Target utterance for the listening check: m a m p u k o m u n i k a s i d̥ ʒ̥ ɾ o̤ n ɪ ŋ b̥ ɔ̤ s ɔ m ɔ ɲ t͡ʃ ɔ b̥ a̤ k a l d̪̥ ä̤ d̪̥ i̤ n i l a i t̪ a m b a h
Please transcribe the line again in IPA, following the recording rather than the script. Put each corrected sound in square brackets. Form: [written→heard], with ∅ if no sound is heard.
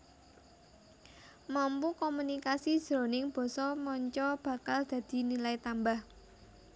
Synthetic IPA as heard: m a m p u k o m u n i k a s i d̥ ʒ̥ ɾ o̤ n ɪ ŋ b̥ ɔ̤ s ɔ m ɔ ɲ t͡ʃ ɔ b̥ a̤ k a l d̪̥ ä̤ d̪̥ i̤ n i l a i t̪ a m b a h